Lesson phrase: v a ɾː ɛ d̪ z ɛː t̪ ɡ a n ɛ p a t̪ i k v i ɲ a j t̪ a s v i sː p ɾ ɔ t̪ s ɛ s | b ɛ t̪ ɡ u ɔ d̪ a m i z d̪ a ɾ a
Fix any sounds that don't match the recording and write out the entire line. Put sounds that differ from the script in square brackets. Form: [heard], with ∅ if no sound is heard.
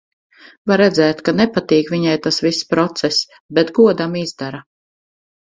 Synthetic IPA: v a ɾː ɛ d̪ z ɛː t̪ [k] a n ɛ p a t̪ [iː] k v i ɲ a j t̪ a s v i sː p ɾ ɔ t̪ s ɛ s | b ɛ t̪ ɡ u ɔ d̪ a m i z d̪ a ɾ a